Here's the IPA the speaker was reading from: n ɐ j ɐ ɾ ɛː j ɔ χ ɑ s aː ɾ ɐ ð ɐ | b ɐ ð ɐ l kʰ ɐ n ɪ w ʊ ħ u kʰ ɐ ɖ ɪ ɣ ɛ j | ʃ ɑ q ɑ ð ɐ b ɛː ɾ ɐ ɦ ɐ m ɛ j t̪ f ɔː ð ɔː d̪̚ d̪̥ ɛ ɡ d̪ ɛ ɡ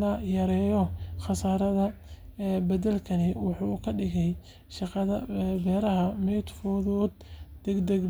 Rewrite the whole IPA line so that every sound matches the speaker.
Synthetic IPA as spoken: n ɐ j ɐ ɾ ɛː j ɔ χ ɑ s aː ɾ ɐ ð ɐ | b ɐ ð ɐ l kʰ ɐ n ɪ w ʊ ħ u kʰ ɐ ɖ ɪ ɣ ɛ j | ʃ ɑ q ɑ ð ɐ b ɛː ɾ ɐ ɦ ɐ m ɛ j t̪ f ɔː ð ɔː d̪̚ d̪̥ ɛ ɡ d̪ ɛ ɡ

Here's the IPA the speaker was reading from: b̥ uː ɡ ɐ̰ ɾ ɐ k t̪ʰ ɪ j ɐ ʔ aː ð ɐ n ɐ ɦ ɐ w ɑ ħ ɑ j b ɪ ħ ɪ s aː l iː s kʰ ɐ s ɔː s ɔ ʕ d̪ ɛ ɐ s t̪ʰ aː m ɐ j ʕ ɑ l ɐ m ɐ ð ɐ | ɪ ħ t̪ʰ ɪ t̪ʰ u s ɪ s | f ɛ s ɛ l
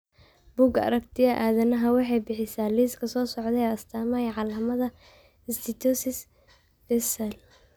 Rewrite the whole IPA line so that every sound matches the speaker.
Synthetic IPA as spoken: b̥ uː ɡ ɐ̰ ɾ ɐ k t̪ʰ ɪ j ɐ ʔ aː ð ɐ n ɐ ɦ ɐ w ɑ ħ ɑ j b ɪ ħ ɪ s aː l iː s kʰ ɐ s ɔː s ɔ ʕ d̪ ɛ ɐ s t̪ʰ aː m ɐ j ʕ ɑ l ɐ m ɐ ð ɐ | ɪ s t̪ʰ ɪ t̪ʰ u s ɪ s | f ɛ s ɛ l

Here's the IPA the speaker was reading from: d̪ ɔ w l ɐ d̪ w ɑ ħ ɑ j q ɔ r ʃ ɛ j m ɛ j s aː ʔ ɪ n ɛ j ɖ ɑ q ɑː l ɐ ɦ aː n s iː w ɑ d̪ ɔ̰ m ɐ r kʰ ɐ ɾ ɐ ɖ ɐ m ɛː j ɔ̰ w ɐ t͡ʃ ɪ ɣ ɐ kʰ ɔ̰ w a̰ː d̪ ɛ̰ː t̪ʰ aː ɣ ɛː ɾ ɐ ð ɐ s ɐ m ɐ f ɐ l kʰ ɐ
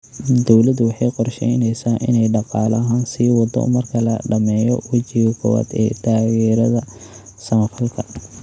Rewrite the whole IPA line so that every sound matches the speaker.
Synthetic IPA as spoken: d̪ ɔ w l ɐ d̪ w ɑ ħ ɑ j q ɔ r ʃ ɛ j n ɛ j s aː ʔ ɪ n ɛ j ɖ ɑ q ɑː l ɐ ɦ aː n s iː w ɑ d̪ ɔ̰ m ɐ r kʰ ɐ l ɐ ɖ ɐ m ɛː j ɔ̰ w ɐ t͡ʃ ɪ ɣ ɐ kʰ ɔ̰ w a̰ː d̪ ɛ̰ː t̪ʰ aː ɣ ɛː ɾ ɐ ð ɐ s ɐ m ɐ f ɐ l kʰ ɐ

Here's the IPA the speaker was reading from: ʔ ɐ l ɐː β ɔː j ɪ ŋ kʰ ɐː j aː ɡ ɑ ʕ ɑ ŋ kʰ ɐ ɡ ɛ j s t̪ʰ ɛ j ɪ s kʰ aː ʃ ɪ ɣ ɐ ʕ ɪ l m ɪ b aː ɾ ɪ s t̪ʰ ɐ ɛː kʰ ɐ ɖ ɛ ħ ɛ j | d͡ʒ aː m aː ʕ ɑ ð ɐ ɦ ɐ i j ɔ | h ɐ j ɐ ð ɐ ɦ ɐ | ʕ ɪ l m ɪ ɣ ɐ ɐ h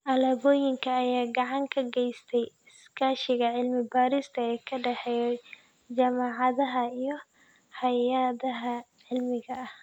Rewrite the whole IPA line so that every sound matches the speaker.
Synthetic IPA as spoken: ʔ ɐ l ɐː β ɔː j ɪ ŋ kʰ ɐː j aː ɡ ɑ ʕ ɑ ŋ kʰ ɐ ɡ ɛ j s t̪ʰ ɛ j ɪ s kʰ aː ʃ ɪ ɣ ɐ ʕ ɪ l m ɪ b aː ɾ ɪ s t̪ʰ ɐ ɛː kʰ ɐ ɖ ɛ ħ ɛ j | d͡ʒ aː m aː ʕ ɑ ð ɐ ɦ ɐ i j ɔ | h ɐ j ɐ ð ɐ ɦ ɐ | ʕ ɪ l m ɪ ɣ ɐ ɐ h

